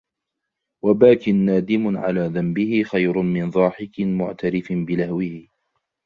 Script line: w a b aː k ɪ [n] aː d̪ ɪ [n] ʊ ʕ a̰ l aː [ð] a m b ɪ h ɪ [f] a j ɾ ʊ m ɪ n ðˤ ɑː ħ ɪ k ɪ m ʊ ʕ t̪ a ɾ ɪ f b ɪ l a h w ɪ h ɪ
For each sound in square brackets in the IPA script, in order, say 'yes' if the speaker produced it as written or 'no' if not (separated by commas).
no, no, yes, no